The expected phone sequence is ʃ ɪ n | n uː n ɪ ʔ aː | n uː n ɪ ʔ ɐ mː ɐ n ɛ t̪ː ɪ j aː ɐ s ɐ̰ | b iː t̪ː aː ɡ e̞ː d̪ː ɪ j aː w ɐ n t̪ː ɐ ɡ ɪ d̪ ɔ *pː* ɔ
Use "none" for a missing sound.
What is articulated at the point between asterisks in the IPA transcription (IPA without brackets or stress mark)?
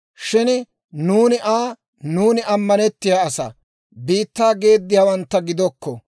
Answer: kː